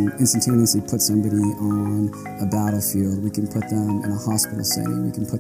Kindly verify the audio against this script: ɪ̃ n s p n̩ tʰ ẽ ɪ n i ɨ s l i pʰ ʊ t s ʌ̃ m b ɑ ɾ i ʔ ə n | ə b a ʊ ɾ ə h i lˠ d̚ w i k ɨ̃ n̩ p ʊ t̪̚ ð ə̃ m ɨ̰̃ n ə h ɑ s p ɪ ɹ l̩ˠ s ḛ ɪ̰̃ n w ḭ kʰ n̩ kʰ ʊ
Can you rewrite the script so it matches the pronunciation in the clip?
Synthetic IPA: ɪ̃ n s t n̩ tʰ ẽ ɪ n i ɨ s l i pʰ ʊ t s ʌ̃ m b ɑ ɾ i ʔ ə n | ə b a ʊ ɾ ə f i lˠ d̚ w i k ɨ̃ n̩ pʰ ʊ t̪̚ ð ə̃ m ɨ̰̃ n ə h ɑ s p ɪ ɾ l̩ˠ s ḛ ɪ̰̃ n w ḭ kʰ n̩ pʰ ʊ